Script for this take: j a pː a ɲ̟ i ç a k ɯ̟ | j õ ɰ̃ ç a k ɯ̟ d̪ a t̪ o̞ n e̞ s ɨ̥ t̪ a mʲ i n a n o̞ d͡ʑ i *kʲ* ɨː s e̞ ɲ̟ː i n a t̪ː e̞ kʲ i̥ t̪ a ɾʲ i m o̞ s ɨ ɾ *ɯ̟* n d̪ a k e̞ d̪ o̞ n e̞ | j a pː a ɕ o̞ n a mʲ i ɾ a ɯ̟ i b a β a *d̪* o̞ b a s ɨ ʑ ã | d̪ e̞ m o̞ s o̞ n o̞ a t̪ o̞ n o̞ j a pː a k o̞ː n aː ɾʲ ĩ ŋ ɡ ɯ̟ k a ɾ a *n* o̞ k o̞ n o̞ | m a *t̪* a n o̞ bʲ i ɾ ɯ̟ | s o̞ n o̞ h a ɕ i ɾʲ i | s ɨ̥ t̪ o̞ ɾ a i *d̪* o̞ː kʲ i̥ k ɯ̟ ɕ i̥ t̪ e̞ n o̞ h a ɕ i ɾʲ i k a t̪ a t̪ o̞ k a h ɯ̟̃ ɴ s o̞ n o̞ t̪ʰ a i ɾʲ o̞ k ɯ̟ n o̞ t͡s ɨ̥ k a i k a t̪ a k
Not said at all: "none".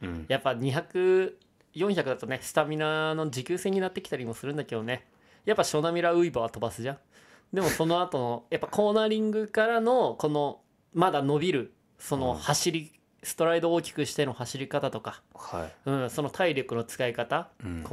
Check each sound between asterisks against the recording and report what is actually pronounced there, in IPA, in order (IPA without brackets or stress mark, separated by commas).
kʲ, ɯ̟̃, t̪, n, d̪, d̪